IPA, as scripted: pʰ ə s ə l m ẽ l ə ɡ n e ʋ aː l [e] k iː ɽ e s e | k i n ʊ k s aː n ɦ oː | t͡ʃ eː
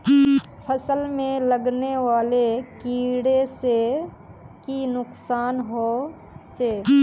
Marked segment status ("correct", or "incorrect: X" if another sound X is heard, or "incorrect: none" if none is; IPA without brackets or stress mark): correct